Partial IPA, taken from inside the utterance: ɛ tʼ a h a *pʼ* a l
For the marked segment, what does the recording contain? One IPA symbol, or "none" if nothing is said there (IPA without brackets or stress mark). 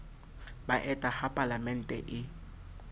pʼ